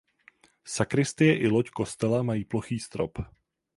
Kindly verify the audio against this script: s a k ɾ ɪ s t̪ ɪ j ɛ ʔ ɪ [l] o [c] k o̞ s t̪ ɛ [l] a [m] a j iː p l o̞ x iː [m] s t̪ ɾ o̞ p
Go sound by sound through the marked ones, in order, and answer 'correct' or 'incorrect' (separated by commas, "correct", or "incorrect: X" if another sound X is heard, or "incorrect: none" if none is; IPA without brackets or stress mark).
correct, correct, correct, correct, incorrect: none